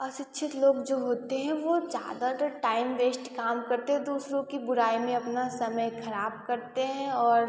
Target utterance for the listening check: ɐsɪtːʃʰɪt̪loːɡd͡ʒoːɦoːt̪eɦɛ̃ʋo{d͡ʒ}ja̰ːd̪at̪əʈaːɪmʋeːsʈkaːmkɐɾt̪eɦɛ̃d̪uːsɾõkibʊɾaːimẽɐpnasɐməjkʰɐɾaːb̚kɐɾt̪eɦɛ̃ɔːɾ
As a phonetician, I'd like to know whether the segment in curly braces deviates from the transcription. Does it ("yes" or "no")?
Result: no